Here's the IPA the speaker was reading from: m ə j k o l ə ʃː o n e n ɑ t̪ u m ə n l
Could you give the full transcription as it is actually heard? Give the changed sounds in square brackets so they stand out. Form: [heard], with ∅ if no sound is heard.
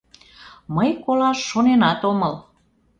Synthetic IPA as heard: m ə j k o l [ɑ] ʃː o n e n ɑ t̪ [o] m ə [∅] l

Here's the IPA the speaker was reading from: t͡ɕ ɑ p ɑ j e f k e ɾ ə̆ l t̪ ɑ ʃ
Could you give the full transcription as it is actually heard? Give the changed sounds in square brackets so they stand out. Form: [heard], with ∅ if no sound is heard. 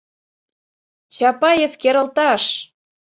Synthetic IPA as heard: t͡ɕ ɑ p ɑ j e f k e ɾ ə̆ l t̪ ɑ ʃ

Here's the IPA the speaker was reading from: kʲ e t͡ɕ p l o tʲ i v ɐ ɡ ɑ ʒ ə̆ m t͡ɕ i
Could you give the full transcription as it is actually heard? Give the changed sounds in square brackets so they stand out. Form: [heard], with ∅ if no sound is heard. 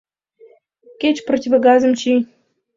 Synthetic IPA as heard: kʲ e t͡ɕ p [r] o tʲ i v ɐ ɡ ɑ [z] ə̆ m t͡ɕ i

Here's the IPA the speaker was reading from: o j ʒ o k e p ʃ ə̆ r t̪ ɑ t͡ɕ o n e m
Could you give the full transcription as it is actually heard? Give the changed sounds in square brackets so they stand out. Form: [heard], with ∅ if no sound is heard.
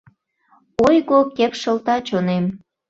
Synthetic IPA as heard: o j [ɣ] o k e p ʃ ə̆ [l] t̪ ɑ t͡ɕ o n e m

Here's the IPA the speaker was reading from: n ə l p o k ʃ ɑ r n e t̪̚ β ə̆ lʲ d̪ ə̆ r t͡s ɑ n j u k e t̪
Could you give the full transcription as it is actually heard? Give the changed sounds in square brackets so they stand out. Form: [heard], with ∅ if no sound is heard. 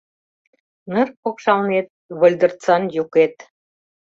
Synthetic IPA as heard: n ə [r] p o k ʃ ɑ [l] n e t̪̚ β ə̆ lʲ d̪ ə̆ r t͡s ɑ n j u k e t̪

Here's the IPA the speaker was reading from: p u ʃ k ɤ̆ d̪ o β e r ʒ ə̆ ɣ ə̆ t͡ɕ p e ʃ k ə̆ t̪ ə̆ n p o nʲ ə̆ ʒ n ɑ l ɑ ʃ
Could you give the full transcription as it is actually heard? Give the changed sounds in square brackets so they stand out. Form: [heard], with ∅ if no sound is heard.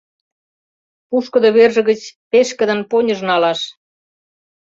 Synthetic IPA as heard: p u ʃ k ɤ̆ d̪ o β e r ʒ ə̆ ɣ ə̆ t͡ɕ p e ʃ k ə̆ [d̪] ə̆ n p o nʲ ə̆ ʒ n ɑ l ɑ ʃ

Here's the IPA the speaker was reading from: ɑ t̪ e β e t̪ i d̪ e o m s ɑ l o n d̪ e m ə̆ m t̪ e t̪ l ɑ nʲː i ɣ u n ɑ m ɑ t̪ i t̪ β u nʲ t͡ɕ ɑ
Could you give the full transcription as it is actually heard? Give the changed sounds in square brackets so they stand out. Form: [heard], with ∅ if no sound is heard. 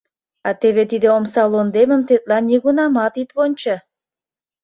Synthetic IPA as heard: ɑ t̪ e β e t̪ i d̪ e o m s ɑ l o n d̪ e m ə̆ m t̪ e t̪ l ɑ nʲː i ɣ u n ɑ m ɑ t̪ i t̪ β [o] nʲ t͡ɕ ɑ

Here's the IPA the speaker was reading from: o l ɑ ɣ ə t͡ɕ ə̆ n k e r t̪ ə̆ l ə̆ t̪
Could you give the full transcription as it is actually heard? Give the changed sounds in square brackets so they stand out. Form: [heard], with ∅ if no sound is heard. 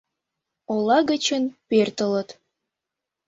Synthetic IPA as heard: o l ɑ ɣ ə t͡ɕ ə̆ n [p] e r t̪ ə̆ l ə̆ t̪

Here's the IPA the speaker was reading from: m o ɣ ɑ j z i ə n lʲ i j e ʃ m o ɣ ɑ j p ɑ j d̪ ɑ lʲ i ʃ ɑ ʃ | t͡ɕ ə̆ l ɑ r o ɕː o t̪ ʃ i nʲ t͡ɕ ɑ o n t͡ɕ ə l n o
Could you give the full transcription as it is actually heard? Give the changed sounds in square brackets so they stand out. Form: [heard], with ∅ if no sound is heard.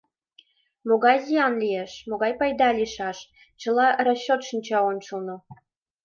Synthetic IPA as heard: m o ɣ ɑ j z i [ɑ] n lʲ i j e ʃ m o ɣ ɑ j p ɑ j d̪ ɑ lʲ i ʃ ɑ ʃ | t͡ɕ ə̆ l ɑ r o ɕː o t̪ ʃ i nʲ t͡ɕ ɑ o n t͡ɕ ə l n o

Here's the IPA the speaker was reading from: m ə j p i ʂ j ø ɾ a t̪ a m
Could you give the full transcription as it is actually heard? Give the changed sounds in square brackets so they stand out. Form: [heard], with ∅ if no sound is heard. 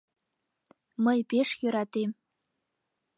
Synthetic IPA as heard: m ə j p [e] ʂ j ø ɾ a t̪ [e] m

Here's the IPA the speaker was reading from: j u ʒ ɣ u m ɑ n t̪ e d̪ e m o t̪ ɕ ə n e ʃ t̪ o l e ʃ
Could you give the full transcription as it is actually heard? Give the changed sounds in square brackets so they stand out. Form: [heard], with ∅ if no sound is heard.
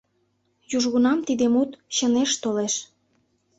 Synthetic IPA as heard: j u ʒ ɣ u [n] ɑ [m] t̪ [i] d̪ e m [u] t̪ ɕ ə n e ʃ t̪ o l e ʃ

